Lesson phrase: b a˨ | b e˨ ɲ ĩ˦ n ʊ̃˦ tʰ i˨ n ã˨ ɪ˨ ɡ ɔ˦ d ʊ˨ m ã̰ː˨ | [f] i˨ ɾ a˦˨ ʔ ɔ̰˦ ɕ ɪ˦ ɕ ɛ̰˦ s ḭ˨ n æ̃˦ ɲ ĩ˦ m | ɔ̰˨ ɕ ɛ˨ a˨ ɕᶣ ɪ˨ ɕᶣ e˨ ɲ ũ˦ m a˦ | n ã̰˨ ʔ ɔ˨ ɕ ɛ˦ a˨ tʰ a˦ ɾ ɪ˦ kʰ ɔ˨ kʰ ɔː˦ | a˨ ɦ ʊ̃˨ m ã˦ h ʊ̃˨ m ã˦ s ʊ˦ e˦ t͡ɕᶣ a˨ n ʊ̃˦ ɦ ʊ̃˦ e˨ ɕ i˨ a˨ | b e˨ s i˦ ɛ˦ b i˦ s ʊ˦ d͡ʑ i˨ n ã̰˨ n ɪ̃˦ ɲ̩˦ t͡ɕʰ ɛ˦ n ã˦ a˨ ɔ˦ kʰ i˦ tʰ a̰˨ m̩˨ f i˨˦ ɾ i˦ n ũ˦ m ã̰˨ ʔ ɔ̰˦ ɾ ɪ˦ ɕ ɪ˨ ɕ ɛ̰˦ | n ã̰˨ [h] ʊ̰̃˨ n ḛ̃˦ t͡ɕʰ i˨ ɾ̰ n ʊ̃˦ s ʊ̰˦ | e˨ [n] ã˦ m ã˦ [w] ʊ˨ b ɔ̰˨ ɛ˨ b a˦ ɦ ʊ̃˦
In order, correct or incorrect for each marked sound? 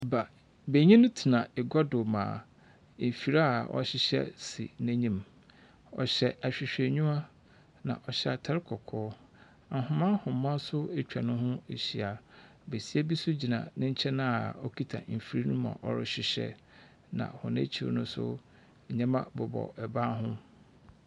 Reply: correct, correct, incorrect: ɲ, incorrect: b

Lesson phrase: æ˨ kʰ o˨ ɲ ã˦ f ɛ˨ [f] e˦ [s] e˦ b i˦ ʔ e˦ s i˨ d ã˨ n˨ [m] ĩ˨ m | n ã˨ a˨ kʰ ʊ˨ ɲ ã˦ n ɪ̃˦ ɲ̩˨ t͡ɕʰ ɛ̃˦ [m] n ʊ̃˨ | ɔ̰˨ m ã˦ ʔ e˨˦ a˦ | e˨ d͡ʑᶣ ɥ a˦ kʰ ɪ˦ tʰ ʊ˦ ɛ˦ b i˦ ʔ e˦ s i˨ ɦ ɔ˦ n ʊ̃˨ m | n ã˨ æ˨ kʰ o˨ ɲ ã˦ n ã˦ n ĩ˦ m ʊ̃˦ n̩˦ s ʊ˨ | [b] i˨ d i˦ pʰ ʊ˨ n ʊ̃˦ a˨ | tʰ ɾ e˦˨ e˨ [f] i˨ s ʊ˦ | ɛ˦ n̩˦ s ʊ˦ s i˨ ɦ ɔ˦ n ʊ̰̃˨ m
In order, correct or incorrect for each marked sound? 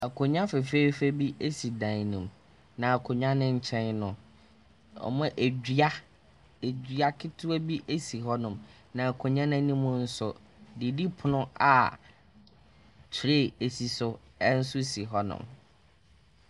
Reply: correct, incorrect: f, incorrect: n, incorrect: n, incorrect: d, incorrect: s

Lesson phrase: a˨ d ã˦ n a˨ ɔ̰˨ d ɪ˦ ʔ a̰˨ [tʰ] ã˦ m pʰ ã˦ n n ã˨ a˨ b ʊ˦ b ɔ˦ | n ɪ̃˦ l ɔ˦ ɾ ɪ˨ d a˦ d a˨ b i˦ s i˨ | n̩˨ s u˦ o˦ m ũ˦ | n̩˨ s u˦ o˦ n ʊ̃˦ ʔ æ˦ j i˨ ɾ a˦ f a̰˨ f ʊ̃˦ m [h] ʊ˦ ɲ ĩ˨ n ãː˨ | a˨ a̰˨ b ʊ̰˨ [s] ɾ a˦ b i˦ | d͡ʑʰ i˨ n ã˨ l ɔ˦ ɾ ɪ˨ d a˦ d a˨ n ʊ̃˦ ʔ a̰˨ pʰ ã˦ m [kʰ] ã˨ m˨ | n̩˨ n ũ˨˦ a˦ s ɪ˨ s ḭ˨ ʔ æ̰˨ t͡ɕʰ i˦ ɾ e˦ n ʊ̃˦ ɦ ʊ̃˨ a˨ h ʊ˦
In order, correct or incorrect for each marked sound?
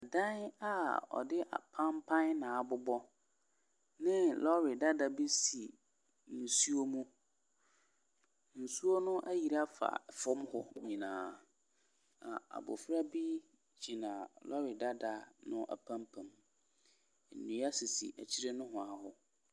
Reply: incorrect: pʰ, correct, incorrect: f, incorrect: pʰ

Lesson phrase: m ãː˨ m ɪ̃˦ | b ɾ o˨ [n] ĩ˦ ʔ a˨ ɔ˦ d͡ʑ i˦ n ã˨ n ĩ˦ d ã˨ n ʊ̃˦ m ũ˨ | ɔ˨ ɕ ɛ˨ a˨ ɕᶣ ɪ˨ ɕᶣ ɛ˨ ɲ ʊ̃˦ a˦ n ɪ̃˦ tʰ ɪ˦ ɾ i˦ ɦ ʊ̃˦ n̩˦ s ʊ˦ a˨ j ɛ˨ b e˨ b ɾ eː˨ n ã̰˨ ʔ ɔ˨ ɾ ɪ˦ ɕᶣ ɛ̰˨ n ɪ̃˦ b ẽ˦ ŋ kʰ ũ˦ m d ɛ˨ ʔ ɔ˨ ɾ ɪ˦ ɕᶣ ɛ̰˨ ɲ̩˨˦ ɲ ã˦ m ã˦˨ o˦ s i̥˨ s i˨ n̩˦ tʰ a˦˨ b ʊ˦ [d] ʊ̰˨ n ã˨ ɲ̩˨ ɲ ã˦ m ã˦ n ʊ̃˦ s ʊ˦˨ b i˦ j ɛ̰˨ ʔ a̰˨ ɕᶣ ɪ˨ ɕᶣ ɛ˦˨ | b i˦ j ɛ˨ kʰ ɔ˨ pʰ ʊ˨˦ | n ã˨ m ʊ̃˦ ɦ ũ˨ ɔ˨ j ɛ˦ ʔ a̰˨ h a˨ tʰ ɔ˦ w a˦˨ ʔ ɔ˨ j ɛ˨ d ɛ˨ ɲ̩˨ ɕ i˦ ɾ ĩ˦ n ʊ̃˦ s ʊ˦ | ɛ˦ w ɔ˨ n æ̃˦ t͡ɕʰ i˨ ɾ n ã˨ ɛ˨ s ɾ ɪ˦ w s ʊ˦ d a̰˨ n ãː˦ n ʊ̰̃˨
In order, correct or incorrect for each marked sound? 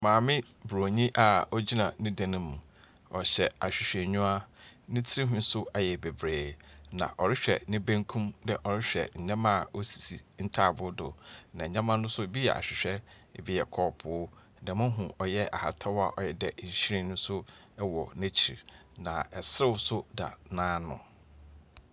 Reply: incorrect: ɲ, correct

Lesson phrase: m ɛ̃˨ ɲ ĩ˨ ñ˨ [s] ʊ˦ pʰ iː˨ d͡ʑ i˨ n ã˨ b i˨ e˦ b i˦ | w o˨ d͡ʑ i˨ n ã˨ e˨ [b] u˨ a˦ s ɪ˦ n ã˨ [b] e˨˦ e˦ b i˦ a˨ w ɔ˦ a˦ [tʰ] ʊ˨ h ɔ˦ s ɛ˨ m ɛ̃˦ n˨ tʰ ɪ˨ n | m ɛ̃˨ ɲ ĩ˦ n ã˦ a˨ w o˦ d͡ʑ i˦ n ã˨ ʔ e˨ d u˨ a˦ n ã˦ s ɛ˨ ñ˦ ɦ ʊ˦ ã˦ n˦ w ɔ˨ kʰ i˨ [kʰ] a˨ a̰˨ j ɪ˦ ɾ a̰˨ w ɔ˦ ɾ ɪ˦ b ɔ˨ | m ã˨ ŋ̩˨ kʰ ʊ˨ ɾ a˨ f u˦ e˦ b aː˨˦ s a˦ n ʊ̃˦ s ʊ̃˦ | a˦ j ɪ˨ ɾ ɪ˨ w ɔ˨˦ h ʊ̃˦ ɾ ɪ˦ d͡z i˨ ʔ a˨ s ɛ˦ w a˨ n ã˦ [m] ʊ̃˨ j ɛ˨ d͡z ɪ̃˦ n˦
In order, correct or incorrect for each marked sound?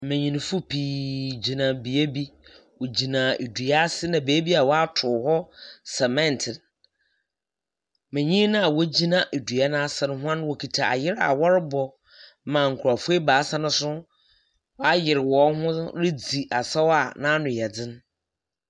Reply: incorrect: f, incorrect: d, correct, correct, incorrect: tʰ, incorrect: n

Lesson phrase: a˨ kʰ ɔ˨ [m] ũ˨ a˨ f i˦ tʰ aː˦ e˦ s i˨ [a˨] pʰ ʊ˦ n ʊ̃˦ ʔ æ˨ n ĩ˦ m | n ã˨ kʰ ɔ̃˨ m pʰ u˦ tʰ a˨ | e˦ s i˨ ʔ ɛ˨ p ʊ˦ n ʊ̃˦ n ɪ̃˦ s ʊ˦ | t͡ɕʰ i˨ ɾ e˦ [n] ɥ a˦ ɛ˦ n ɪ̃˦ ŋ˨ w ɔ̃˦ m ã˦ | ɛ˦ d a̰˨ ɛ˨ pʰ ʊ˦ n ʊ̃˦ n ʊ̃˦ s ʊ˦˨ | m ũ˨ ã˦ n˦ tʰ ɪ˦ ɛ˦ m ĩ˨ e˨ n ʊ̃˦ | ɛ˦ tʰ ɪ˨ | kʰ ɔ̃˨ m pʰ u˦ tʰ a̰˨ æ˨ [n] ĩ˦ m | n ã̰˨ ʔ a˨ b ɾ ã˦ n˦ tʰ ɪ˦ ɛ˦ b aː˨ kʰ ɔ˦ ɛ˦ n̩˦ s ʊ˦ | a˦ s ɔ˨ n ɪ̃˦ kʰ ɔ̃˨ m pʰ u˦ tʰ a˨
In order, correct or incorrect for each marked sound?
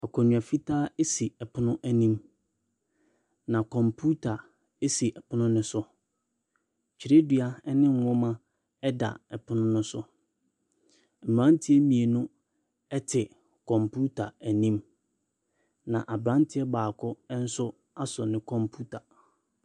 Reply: incorrect: ɲ, incorrect: ɛ˨, incorrect: d, correct

